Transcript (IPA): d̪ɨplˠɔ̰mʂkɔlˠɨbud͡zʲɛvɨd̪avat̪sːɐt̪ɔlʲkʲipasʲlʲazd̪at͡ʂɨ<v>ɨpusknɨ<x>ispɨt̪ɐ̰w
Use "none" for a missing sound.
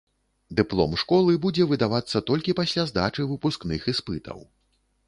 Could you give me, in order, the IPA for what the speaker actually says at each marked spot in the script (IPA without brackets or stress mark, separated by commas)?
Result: v, x